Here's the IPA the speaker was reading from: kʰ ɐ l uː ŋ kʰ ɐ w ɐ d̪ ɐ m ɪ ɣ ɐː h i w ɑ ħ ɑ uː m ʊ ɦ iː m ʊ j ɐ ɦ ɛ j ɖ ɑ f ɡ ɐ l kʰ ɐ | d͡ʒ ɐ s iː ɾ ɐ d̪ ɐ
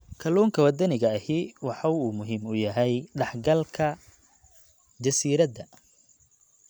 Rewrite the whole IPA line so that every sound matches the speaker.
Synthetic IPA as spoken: kʰ ɐ l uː ŋ kʰ ɐ w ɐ d̪ ɐ n ɪ ɣ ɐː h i w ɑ ħ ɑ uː m ʊ ɦ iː m ʊ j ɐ ɦ ɛ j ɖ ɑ ħ ɡ ɐ l kʰ ɐ | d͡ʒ ɐ s iː ɾ ɐ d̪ ɐ

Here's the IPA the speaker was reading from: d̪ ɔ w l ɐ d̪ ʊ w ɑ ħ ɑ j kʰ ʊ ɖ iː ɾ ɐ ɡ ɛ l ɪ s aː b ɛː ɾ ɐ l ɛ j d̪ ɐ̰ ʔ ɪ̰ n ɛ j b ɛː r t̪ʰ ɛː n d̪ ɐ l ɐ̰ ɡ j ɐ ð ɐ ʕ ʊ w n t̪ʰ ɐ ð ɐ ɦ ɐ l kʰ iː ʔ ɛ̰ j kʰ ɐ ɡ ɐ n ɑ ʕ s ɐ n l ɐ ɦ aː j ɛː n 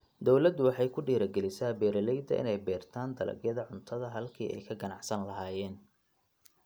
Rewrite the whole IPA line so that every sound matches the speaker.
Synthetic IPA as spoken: d̪ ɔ w l ɐ d̪ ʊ w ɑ ħ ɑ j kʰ ʊ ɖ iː ɾ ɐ ɡ ɛ l ɪ s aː b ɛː ɾ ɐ l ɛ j d̪ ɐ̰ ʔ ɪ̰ n ɛ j b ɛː r t̪ʰ aː n d̪ ɐ l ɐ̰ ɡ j ɐ ð ɐ ʕ ʊ n t̪ʰ ɐ ð ɐ ɦ ɐ l kʰ iː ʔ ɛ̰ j kʰ ɐ ɡ ɐ n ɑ ʕ s ɐ n l ɐ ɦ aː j ɛː n

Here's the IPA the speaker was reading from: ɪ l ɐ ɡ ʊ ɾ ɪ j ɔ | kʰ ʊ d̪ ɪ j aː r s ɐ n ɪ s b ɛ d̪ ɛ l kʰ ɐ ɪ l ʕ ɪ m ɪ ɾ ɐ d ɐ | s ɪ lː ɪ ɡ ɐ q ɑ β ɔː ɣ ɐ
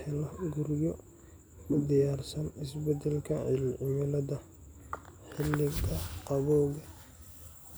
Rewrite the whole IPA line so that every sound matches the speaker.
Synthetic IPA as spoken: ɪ l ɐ ɡ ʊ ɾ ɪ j ɔ | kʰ ʊ d̪ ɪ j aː r s ɐ n ɪ s b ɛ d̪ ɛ l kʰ ɐ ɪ l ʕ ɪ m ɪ l ɐ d ɐ | ħ ɪ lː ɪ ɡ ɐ q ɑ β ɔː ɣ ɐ

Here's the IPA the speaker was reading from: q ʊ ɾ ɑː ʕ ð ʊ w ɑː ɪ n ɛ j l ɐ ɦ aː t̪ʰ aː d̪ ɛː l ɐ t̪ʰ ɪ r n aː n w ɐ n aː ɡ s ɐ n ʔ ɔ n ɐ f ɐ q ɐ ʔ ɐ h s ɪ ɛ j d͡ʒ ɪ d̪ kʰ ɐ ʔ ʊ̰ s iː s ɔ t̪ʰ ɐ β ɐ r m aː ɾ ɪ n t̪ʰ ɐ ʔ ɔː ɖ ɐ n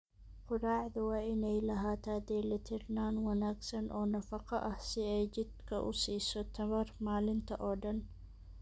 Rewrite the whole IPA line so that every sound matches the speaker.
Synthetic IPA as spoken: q ʊ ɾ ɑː ʕ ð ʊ w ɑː ɪ n ɛ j l ɐ ɦ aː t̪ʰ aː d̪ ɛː l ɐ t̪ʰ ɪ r n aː n w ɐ n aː ɡ s ɐ n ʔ ɔː n ɐ f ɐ q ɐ ʔ ɐ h s ɪ ɛ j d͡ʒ ɪ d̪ kʰ ɐ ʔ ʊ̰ s iː s ɔ t̪ʰ ɐ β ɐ r m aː l ɪ n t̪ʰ ɐ ʔ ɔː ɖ ɐ n

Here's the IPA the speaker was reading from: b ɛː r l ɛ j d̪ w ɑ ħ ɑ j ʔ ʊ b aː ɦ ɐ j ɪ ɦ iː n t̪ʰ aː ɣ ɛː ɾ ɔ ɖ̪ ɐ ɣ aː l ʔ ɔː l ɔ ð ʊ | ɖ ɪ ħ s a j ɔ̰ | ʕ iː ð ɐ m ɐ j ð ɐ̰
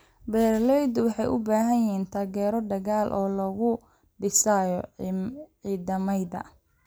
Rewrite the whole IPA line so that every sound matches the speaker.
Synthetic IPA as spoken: b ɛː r l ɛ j d̪ w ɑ ħ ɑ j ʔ ʊ b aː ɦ ɐ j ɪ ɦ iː n t̪ʰ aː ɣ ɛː ɾ ɔ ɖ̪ ɐ ɣ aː l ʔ ɔː l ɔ ɣ ʊ | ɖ ɪ s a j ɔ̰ | ʕ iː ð ɐ m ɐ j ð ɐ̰

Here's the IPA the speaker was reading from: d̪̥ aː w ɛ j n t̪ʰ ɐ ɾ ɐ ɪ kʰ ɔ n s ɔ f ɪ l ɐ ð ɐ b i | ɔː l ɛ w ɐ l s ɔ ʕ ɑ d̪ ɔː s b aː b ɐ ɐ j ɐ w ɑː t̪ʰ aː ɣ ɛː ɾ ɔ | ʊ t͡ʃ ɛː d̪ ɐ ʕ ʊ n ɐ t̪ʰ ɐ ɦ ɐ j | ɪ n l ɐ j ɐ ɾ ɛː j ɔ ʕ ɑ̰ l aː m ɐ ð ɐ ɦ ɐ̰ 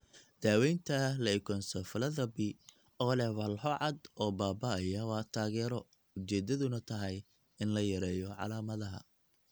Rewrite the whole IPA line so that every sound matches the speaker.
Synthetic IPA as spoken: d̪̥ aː w ɛ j n t̪ʰ ɐ l ɐ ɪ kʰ ɔ n s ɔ f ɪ l ɐ ð ɐ b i | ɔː l ɛ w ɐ l ħ ɔ ʕ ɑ d̪ ɔː b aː b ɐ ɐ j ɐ w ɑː t̪ʰ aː ɣ ɛː ɾ ɔ | ʊ t͡ʃ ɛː d̪ ɐ ð ʊ n ɐ t̪ʰ ɐ ɦ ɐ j | ɪ n l ɐ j ɐ ɾ ɛː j ɔ ʕ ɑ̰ l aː m ɐ ð ɐ ɦ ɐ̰

